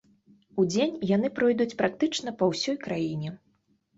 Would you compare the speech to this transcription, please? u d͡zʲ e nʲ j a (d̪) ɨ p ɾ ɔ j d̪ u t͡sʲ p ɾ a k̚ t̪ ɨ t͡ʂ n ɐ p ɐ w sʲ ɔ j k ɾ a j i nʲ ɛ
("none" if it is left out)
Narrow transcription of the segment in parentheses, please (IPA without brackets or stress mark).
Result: n̪